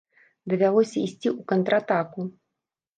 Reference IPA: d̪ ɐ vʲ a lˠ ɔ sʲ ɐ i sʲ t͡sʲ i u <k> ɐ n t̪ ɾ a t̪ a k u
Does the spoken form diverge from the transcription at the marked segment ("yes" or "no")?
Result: no